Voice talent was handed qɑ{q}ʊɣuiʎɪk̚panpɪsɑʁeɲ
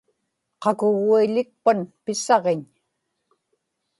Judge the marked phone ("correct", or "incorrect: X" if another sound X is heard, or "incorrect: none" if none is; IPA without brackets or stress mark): incorrect: k